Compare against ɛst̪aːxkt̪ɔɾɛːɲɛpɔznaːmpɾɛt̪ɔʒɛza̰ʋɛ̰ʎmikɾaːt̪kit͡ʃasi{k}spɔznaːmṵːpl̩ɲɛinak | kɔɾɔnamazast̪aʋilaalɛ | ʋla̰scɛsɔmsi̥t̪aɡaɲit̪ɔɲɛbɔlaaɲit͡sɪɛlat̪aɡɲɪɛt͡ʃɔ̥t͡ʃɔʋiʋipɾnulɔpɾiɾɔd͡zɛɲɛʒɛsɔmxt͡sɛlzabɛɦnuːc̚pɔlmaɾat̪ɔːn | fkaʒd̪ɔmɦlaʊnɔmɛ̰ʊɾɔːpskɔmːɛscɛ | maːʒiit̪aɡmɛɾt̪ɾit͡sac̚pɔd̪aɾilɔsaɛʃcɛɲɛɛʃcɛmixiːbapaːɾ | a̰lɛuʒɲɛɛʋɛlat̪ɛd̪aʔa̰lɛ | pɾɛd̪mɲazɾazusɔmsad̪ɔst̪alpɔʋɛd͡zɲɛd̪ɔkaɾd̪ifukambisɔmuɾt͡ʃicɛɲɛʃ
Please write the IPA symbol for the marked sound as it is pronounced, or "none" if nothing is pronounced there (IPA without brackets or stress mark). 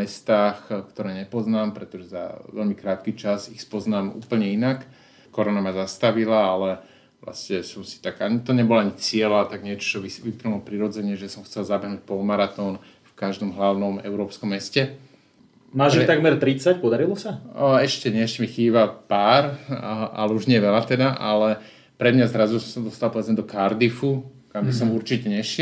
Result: x